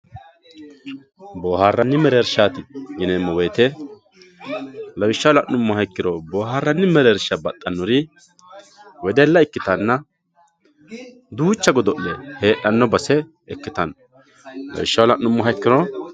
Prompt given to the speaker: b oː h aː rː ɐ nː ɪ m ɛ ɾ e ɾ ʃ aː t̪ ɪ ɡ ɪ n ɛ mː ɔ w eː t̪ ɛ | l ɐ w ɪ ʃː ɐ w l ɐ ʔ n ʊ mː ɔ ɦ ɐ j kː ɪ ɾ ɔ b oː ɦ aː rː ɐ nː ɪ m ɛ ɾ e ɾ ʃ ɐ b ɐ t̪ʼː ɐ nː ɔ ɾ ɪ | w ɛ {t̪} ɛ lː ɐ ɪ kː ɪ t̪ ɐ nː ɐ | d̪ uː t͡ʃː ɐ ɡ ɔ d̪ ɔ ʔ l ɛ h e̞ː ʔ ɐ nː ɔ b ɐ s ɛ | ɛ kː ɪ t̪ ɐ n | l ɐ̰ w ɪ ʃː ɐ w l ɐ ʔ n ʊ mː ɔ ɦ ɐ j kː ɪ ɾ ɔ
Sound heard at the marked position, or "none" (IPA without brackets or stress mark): d̪